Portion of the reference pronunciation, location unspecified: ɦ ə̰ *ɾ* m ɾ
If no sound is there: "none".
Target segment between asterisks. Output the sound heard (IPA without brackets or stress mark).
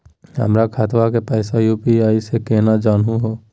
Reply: none